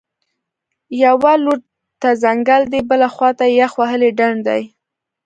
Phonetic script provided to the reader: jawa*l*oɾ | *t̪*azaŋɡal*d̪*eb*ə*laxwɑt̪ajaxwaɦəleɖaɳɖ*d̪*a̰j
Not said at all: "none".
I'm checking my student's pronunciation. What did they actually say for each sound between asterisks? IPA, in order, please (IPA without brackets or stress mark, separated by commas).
l, t̪, d̪, ə, d̪